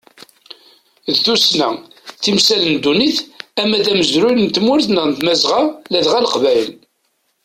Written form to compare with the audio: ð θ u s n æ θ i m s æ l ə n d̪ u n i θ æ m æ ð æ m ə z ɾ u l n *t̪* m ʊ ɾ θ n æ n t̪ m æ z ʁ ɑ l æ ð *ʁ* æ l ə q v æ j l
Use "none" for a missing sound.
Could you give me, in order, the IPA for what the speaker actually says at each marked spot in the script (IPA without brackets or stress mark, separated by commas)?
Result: t̪, ʁ